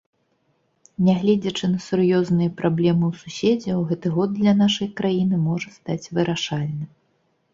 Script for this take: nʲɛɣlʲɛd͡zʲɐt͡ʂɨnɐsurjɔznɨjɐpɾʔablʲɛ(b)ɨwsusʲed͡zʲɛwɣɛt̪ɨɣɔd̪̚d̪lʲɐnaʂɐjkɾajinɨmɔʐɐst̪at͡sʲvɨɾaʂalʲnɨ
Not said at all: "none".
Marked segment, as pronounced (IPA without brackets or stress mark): m